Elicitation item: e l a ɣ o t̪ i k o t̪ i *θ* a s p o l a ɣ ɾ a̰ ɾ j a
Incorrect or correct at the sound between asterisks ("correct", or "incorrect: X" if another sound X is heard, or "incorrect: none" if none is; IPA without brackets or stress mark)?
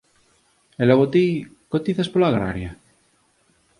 correct